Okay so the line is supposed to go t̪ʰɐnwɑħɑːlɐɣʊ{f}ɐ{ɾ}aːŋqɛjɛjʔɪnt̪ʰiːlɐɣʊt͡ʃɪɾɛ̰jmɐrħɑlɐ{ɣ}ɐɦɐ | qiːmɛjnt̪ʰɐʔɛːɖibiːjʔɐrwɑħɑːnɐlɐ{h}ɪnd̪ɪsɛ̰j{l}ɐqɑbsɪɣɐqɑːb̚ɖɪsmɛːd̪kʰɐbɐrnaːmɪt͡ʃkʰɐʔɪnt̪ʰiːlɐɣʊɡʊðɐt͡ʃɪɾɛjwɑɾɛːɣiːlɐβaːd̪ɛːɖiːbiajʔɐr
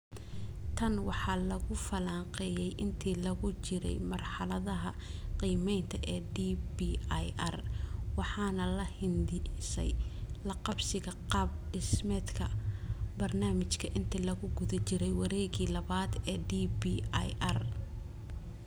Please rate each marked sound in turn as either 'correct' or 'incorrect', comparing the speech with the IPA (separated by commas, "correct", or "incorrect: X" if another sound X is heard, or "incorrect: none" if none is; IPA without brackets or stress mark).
correct, incorrect: l, incorrect: ð, correct, correct